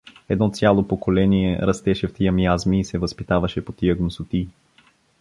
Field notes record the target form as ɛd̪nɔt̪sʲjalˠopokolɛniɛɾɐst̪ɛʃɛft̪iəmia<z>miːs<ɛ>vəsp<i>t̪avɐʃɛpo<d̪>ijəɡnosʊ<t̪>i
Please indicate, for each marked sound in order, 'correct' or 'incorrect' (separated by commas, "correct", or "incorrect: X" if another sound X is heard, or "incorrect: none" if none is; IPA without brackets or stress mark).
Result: correct, correct, correct, incorrect: t̪, correct